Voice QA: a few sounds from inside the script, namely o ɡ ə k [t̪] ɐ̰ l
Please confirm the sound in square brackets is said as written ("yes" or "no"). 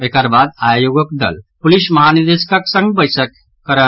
no